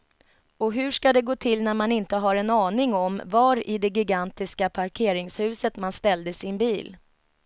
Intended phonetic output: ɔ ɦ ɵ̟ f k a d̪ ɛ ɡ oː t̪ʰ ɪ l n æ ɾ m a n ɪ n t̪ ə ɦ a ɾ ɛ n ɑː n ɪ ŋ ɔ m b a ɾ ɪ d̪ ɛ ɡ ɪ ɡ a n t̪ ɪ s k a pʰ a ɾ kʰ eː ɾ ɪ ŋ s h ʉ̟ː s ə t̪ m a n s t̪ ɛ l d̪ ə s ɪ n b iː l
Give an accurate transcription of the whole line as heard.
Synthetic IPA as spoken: ɔ ɦ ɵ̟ ʂ k a d̪ ɛ ɡ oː t̪ʰ ɪ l n æ ɾ m a n ɪ n t̪ ə ɦ a ɾ ɛ n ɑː n ɪ ŋ ɔ m v a ɾ ɪ d̪ ɛ ɡ ɪ ɡ a n t̪ ɪ s k a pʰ a ɾ kʰ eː ɾ ɪ ŋ s h ʉ̟ː s ə t̪ m a n s t̪ ɛ l d̪ ə s ɪ n b iː l